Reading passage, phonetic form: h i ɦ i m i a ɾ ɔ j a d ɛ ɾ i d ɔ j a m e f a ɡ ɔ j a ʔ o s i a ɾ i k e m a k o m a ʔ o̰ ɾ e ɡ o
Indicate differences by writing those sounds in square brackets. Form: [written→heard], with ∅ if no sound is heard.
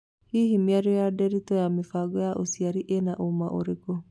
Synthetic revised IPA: h i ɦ i m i a ɾ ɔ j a d ɛ ɾ i [d→t] ɔ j a m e f a ɡ ɔ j a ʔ o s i a ɾ i [k→ʔ] e [m→n] a [k→ʔ] o m a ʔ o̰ ɾ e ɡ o